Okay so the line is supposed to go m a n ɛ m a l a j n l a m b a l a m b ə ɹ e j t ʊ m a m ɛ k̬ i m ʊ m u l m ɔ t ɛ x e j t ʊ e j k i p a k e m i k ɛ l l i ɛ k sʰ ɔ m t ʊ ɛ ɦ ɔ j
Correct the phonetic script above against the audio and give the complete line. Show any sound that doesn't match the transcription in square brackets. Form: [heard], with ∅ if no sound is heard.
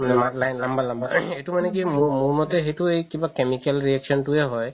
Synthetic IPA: m a n ɛ m a l a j n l a m b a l a m b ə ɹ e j t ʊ m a [n] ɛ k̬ i m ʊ m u [ɹ] m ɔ t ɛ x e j t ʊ e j k i [b] a k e m i k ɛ l [ɹ] i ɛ k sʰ ɔ [n] t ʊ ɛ ɦ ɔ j